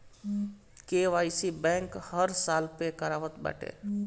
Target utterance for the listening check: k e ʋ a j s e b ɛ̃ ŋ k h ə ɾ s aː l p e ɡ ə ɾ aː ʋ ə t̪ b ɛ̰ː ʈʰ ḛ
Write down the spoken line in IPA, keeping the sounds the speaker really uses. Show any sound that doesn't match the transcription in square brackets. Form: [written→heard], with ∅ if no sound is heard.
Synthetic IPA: k e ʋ a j s [e→i] b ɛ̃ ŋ k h ə ɾ s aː l p e [ɡ→k] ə ɾ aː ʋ ə t̪ b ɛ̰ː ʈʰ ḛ